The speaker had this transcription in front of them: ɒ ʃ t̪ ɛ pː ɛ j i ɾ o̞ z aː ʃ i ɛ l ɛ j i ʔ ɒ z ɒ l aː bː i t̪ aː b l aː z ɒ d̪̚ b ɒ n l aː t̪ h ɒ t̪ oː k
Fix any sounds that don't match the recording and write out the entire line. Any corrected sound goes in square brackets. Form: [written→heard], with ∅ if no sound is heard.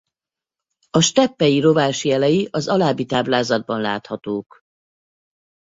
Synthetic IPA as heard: ɒ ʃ t̪ ɛ pː ɛ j i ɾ o̞ [z→v] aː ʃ i ɛ l ɛ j i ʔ ɒ z ɒ l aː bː i t̪ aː b l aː z ɒ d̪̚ b ɒ n l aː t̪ h ɒ t̪ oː k